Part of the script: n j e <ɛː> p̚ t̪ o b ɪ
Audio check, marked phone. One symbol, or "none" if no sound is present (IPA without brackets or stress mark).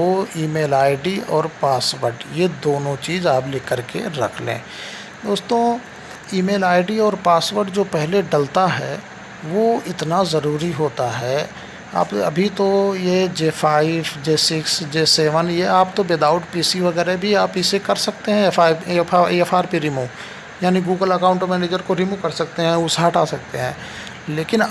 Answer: aː